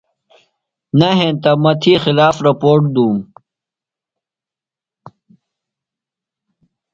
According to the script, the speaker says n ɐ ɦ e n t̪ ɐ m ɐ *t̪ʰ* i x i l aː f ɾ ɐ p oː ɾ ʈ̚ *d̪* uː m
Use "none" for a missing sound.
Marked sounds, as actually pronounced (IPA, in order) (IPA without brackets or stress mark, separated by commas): t̪ʰ, d̪